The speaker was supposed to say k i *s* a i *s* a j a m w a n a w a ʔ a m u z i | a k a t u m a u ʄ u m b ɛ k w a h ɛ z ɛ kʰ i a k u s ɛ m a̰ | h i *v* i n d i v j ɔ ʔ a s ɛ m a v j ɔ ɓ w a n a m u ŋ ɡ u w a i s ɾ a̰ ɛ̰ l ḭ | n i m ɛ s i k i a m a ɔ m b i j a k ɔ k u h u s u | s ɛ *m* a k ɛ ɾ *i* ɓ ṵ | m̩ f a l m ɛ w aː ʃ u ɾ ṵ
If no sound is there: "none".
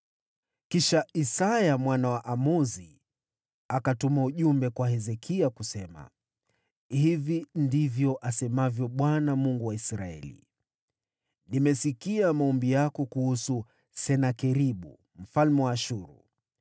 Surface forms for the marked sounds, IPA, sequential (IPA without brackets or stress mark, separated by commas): ʃ, s, v, n, i